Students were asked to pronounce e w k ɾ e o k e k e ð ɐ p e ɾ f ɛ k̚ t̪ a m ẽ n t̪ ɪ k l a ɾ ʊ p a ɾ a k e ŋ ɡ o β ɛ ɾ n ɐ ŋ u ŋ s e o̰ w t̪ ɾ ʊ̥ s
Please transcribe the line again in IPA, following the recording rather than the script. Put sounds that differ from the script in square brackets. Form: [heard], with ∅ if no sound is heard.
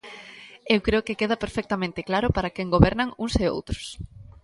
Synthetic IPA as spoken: e w k ɾ e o k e k e ð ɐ p e ɾ f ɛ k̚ t̪ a m ẽ n t̪ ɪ k l a ɾ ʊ p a ɾ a k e ŋ ɡ o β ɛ ɾ n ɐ ŋ u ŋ s e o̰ w t̪ ɾ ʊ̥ s